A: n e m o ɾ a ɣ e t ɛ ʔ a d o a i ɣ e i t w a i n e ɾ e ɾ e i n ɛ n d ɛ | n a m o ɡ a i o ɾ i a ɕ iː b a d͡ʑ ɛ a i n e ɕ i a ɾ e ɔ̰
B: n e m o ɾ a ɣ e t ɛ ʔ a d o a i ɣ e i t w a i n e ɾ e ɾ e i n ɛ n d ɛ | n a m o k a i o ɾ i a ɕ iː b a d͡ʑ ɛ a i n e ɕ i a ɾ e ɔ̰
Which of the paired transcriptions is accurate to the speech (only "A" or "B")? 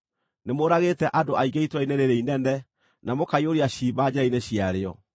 B